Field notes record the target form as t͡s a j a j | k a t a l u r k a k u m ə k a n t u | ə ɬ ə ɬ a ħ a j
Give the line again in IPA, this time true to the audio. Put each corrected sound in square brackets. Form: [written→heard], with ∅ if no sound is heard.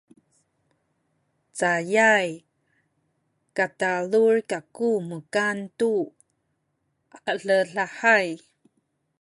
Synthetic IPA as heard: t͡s a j a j | k a t a l u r k a k u m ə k a n t u | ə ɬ ə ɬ a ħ a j

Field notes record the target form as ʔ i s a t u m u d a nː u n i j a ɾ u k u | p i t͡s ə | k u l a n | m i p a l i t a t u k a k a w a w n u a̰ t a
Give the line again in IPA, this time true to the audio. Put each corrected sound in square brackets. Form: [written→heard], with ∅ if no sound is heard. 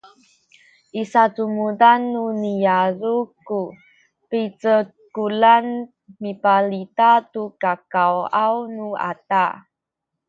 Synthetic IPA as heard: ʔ i s a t u m u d a nː u n i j a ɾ u k u | p i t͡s ə | k u l a n | m i p a l i t a t u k a k a w a w n u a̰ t a

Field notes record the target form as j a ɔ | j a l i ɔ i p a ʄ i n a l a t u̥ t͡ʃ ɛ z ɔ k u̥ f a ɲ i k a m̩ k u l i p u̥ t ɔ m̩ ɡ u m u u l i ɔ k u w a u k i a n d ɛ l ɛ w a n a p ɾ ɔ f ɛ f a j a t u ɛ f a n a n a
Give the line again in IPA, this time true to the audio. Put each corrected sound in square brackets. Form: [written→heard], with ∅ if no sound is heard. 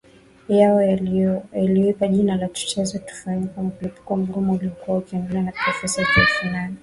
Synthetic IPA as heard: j a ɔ | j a l i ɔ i p a ʄ i n a l a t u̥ t͡ʃ ɛ z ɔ [k→t] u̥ f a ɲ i k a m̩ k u l i p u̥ [t→k] ɔ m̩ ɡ u m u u l i ɔ k u w a u k i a n d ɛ l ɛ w a n a p ɾ ɔ f ɛ [f→s] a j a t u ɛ f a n a n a

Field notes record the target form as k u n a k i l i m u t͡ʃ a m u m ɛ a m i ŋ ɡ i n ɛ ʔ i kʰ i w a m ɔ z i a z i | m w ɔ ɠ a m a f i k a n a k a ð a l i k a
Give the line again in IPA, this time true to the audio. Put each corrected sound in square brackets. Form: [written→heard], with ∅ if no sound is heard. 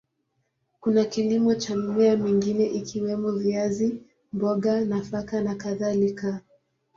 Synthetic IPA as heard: k u n a k i l i m [u→ɔ] t͡ʃ a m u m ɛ a m i ŋ ɡ i n ɛ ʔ i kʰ i w [a→ɛ] m ɔ [z→v] i a z i | m [w→b] ɔ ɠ a [m→n] a f [i→a] k a n a k a ð a l i k a

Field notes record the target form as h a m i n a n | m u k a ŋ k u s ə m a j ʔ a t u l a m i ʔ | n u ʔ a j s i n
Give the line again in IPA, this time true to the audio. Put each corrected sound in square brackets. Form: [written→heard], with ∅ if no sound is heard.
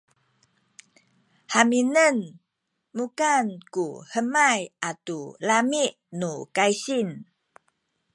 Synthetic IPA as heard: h a m i n [a→ə] n | m u k a [ŋ→n] k u [s→h] ə m a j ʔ a t u l a m i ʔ | n u [ʔ→k] a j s i n

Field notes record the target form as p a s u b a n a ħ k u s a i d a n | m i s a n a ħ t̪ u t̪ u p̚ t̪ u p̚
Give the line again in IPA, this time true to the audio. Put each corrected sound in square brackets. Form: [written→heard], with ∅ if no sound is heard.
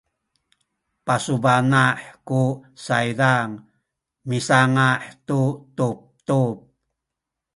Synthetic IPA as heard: p a s u b a n a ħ k u s a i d a [n→ŋ] | m i s a [n→ŋ] a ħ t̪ u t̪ u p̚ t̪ u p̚

